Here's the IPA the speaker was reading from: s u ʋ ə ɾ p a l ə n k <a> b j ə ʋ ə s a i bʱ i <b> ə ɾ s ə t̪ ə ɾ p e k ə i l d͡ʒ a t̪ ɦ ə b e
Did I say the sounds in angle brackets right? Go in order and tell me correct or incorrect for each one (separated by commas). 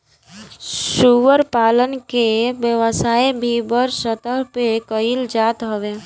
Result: incorrect, correct